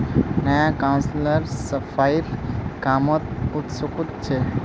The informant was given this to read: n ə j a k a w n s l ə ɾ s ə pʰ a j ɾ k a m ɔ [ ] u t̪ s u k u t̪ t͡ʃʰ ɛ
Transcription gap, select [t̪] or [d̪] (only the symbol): t̪